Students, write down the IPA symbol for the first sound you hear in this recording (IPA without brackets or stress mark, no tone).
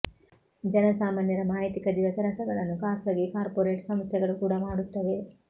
d͡ʒ